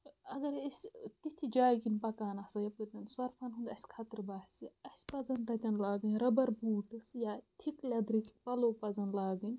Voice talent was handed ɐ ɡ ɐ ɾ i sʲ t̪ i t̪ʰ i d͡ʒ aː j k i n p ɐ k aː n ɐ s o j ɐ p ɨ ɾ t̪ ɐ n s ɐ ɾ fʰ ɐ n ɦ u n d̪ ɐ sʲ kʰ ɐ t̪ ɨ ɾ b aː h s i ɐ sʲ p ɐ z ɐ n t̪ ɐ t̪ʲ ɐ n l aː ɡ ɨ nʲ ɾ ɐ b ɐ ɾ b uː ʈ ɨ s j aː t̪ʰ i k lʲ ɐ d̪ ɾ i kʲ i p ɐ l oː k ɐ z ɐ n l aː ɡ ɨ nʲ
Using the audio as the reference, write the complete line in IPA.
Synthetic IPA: ɐ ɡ ɐ ɾ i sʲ t̪ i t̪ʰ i d͡ʒ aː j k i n p ɐ k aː n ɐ s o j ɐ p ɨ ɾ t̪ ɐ n s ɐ ɾ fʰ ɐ n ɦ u n d̪ ɐ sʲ kʰ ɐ t̪ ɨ ɾ b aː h s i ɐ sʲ p ɐ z ɐ n t̪ ɐ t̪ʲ ɐ n l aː ɡ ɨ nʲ ɾ ɐ b ɐ ɾ b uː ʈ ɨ s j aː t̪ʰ i k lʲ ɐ d̪ ɾ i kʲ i p ɐ l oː p ɐ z ɐ n l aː ɡ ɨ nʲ